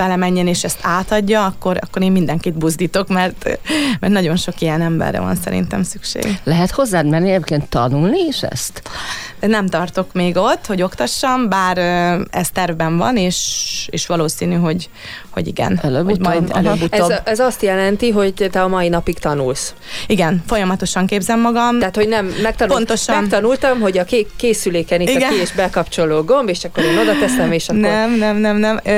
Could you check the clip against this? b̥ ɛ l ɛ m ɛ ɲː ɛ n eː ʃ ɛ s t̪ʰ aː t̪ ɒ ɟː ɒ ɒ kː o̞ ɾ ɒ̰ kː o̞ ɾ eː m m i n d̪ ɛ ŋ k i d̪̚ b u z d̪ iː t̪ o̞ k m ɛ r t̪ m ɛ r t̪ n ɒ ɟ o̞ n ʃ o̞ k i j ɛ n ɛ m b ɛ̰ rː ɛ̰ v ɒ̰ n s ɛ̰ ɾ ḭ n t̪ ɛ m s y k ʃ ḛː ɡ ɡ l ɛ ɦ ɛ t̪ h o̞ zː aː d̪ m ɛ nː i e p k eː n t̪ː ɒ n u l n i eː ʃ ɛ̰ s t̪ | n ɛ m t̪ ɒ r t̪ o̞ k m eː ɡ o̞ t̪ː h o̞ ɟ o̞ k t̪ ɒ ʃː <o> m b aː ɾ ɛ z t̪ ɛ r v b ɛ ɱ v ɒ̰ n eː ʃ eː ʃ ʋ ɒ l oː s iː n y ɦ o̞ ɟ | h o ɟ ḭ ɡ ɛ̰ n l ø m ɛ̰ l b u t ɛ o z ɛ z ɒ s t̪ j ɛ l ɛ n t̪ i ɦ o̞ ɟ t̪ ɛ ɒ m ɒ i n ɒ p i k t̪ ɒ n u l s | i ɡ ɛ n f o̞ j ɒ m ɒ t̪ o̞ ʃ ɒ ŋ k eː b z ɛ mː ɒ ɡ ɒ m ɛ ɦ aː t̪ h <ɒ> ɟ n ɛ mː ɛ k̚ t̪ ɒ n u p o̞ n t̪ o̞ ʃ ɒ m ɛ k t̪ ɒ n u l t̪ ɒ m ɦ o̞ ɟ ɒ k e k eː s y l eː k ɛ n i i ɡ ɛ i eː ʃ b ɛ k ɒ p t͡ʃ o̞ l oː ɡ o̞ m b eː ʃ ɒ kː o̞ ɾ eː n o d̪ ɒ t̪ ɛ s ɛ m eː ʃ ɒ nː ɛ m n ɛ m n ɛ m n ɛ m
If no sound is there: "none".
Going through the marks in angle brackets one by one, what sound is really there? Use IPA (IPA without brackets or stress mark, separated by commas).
ɒ, o